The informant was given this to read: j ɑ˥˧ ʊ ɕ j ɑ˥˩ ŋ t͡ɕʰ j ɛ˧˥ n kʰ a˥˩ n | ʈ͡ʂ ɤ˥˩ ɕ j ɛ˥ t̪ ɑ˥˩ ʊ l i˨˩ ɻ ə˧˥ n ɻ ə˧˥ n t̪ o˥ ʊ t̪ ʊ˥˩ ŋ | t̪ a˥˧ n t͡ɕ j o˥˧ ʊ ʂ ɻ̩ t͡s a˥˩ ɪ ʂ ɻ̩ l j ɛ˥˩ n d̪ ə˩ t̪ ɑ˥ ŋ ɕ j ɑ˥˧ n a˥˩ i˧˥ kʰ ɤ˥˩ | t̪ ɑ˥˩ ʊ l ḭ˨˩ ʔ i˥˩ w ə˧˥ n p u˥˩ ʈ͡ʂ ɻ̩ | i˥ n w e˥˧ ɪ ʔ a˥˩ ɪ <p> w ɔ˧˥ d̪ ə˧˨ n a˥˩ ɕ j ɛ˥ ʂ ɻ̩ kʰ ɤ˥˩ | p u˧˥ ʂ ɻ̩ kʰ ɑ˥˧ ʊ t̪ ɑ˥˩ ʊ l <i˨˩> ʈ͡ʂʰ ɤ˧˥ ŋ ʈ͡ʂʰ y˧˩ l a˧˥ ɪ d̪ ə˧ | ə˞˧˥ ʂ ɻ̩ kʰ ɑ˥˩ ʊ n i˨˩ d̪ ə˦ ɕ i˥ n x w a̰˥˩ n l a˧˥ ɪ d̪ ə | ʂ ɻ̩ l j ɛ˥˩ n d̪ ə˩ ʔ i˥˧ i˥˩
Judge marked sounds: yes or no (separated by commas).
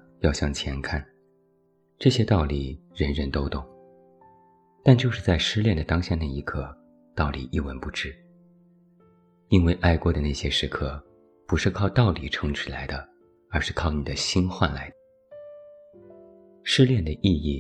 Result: no, yes